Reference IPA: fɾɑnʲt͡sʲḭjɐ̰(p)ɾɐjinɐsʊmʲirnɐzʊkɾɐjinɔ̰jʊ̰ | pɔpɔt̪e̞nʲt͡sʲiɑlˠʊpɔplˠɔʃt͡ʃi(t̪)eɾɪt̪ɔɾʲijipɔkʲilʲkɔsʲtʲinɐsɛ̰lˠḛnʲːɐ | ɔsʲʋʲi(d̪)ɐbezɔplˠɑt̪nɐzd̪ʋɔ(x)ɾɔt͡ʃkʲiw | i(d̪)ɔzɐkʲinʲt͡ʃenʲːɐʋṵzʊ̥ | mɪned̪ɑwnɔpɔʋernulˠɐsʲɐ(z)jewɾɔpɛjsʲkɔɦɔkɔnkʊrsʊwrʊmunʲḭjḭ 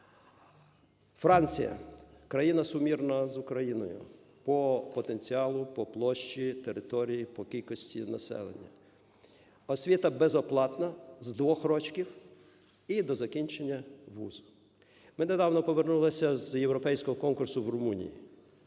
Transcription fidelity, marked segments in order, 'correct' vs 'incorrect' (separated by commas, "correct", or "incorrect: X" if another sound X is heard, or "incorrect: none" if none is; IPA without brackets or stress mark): incorrect: k, correct, incorrect: t̪, correct, correct, correct